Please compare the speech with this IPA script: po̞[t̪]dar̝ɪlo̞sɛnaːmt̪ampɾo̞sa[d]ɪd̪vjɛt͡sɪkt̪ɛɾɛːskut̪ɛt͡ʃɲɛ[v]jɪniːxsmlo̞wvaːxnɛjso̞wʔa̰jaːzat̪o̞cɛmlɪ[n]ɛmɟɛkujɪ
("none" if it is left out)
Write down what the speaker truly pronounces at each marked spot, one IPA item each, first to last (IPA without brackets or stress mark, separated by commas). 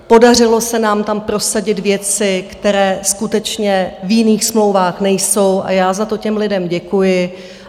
none, ɟ, v, d